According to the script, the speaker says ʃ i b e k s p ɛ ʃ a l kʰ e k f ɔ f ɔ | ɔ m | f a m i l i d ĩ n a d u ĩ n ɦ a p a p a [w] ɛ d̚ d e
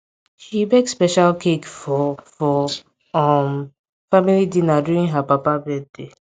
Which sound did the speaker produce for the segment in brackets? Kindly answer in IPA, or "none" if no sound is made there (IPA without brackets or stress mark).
b